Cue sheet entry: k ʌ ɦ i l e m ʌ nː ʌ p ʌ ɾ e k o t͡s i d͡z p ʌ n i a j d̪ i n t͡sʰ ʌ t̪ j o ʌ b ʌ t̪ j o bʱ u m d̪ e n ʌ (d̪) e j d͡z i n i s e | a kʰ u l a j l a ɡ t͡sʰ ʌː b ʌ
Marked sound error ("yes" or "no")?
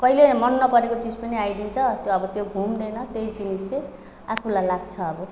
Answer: yes